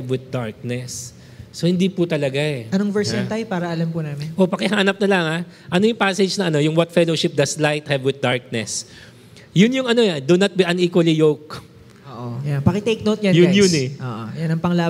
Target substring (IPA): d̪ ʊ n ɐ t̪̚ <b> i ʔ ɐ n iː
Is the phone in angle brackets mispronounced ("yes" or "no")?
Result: no